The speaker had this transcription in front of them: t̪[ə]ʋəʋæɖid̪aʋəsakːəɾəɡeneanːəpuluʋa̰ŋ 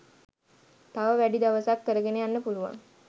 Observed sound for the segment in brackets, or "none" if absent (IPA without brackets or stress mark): a